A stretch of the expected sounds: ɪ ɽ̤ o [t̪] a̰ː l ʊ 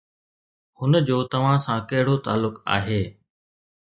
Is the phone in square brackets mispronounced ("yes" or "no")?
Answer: no